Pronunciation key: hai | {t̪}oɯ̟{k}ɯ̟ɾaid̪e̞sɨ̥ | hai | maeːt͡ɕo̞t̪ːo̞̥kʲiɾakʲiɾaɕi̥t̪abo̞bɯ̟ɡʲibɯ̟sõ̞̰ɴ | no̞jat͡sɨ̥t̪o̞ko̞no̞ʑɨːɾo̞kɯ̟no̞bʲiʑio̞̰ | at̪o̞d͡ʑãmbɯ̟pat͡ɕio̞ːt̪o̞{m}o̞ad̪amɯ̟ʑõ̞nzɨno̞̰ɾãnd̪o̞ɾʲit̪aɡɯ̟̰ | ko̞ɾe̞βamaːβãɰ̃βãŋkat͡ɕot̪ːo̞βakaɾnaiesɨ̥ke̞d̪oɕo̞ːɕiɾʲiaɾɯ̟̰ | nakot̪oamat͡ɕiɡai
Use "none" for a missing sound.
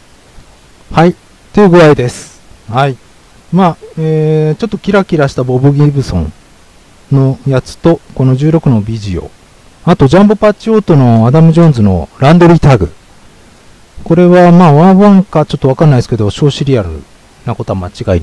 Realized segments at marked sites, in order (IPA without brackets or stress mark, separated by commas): t̪, ɡ, n